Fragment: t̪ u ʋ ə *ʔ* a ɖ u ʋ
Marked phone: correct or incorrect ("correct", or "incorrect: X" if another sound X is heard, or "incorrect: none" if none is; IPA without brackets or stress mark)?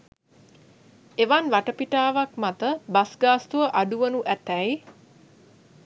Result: correct